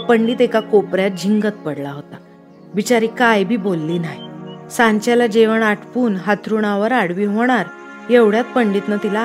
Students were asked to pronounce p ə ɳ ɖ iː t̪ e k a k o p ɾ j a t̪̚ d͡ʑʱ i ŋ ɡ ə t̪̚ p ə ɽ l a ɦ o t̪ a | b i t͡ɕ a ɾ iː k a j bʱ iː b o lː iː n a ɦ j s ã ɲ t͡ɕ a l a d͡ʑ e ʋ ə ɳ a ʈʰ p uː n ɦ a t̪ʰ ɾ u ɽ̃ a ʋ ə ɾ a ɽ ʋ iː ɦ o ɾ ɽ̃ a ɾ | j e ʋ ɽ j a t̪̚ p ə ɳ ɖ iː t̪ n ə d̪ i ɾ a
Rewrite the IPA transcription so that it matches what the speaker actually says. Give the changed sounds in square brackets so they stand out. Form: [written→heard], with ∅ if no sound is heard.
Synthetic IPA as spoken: p ə ɳ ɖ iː t̪ e k a k o p ɾ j a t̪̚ d͡ʑʱ i ŋ ɡ ə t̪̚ p ə ɽ l a ɦ o t̪ a | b i t͡ɕ a ɾ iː k a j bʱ iː b o lː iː n a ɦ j s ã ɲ t͡ɕ a l a d͡ʑ e ʋ ə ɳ a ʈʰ p uː n ɦ a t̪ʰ ɾ u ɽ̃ a ʋ ə ɾ a ɽ ʋ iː ɦ o [ɾ→∅] ɽ̃ a ɾ | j e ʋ ɽ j a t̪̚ p ə ɳ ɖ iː t̪ n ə [d̪→t̪] i [ɾ→l] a